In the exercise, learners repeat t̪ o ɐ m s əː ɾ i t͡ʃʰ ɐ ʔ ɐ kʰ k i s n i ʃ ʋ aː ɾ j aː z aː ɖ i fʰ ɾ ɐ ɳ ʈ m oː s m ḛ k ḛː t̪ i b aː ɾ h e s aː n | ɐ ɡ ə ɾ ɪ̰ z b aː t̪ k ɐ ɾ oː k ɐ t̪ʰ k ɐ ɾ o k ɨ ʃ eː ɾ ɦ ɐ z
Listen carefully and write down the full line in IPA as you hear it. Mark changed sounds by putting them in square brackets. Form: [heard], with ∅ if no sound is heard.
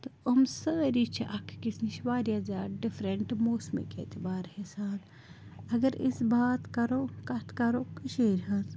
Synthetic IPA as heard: t̪ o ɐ m s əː ɾ i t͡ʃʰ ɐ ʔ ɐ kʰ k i s n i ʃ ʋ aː ɾ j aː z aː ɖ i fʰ ɾ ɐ ɳ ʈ m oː s m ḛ k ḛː t̪ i b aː ɾ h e s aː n | ɐ ɡ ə ɾ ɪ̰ [s] b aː t̪ k ɐ ɾ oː k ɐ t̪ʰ k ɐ ɾ o k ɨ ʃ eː ɾ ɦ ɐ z